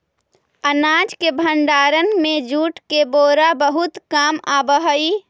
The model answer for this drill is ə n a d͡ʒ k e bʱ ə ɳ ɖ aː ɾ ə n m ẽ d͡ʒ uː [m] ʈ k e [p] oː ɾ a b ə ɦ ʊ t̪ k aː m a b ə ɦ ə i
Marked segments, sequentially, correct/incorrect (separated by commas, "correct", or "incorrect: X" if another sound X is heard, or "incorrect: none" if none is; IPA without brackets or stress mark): incorrect: none, incorrect: b